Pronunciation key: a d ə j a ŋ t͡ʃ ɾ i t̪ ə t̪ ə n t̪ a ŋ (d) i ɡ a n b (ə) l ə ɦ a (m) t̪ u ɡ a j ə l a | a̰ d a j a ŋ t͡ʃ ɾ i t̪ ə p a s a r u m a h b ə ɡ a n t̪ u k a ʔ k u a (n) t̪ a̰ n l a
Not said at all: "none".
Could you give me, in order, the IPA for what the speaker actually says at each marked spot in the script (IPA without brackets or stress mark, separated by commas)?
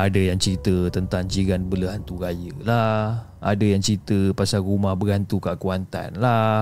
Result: d͡ʒ, ə, n, n